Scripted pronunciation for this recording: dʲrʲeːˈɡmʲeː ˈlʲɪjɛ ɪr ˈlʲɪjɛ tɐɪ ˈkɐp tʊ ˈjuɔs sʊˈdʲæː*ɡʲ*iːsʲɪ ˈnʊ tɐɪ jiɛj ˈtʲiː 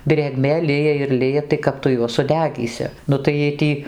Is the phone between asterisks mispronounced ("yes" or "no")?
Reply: no